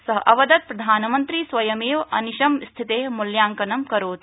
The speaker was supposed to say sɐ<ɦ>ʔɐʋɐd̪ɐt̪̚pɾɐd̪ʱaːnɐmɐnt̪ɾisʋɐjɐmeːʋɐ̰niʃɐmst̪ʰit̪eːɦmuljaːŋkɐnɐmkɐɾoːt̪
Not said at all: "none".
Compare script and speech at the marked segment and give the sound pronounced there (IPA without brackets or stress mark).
ɦ